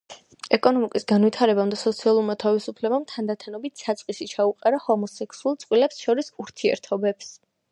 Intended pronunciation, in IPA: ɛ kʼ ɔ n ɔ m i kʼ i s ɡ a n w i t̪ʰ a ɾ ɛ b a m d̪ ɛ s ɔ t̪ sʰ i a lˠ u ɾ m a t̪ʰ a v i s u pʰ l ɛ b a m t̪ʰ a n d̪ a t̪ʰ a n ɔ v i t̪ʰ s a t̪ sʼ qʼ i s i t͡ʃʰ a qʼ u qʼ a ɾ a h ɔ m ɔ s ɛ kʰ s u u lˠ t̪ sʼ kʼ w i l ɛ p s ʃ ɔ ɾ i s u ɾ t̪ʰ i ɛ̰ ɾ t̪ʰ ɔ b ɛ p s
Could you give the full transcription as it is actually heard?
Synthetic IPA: ɛ kʼ ɔ n ɔ m i kʼ i s ɡ a n w i t̪ʰ a ɾ ɛ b a m d̪ a s ɔ t̪ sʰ i a lˠ u ɾ m a t̪ʰ a v i s u pʰ l ɛ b a m t̪ʰ a n d̪ a t̪ʰ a n ɔ b i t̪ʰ s a t̪ sʼ qʼ i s i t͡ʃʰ a u qʼ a ɾ a h ɔ m ɔ s ɛ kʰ s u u lˠ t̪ sʼ qʼ w i l ɛ p s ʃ ɔ ɾ i s u ɾ t̪ʰ i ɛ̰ ɾ t̪ʰ ɔ b ɛ p s